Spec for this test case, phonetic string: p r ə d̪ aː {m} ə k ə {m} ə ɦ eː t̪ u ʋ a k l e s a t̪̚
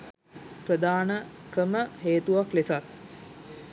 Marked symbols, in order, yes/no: no, yes

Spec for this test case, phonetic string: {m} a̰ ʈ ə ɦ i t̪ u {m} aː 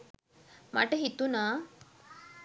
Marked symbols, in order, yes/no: yes, no

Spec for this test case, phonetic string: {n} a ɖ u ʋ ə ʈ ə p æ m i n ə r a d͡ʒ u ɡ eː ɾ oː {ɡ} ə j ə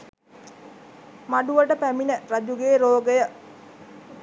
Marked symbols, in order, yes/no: no, yes

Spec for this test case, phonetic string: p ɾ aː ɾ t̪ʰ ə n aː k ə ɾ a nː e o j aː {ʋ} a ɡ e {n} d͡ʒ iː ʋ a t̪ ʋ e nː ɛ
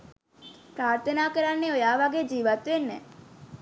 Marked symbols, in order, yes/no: yes, no

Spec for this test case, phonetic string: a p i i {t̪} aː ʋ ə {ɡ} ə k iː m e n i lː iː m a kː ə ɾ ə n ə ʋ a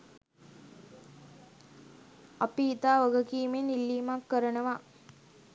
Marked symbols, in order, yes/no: yes, yes

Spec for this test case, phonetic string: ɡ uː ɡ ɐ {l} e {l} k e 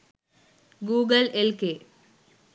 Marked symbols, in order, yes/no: yes, yes

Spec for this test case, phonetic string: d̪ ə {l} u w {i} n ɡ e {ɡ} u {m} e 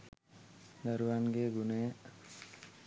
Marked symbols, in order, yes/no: no, no, yes, no

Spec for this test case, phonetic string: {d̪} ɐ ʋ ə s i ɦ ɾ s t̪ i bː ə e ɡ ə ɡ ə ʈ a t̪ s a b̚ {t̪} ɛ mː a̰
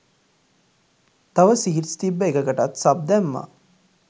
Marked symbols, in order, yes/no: no, no

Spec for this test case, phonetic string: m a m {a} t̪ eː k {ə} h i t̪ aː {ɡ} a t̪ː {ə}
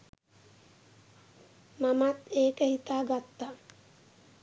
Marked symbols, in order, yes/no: yes, yes, yes, no

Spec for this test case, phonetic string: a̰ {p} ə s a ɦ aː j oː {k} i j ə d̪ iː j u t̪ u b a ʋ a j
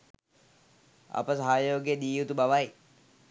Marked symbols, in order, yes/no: yes, no

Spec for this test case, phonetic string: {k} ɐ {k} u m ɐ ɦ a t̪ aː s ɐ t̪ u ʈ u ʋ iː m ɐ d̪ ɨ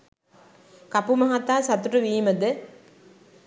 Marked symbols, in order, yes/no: yes, no

